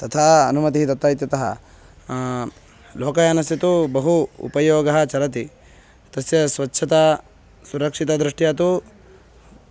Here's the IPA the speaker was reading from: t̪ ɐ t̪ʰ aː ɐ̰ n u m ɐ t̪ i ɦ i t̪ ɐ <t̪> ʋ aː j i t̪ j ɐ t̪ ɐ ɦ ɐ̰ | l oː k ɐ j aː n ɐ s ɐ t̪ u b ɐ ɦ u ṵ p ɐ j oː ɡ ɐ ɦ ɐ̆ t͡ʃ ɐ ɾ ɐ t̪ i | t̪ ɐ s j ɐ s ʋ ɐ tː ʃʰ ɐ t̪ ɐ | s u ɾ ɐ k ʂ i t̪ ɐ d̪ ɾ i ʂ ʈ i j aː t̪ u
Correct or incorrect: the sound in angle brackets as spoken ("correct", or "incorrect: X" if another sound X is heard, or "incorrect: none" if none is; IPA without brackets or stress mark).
correct